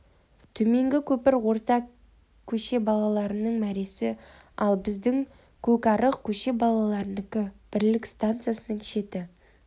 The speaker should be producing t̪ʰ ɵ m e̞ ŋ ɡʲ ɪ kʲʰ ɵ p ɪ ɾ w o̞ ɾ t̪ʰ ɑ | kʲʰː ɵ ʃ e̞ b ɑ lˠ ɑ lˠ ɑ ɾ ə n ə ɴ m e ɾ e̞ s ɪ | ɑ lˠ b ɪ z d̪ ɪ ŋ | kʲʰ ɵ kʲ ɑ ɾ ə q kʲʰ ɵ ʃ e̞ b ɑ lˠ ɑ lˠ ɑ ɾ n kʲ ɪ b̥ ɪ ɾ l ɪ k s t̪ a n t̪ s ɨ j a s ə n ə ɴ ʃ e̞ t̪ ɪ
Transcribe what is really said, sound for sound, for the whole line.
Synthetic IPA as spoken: t̪ʰ ɵ m e̞ ŋ ɡʲ ɪ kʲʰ ɵ p ɪ ɾ w o̞ ɾ t̪ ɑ | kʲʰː ɵ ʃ e̞ b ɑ lˠ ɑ lˠ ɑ ɾ ə n ə ɴ m æ ɾ e̞ s ɪ | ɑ lˠ b ɪ z d̪ ɪ ŋ | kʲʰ ɵ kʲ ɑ ɾ ə q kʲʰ ɵ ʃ e̞ b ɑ lˠ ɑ lˠ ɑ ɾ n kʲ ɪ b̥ ɪ ɾ l ɪ k s t̪ a n t̪ s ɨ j a s ə n ə ɴ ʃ e̞ t̪ ɪ